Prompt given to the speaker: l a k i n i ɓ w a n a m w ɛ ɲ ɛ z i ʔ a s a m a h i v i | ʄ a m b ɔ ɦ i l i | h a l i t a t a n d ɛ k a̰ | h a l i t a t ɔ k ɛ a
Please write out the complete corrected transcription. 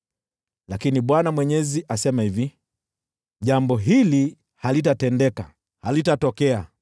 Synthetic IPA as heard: l a k i n i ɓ w a n a m w ɛ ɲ ɛ z i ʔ a s ɛ m a h i v i | ʄ a m b ɔ ɦ i l i | h a l i t a t ɛ n d ɛ k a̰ | h a l i t a t ɔ k ɛ a